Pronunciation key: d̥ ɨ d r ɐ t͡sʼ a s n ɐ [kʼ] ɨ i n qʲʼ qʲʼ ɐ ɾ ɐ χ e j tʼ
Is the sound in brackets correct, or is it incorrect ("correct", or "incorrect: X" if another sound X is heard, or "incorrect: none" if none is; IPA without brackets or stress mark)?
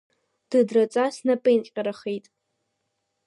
incorrect: pʼ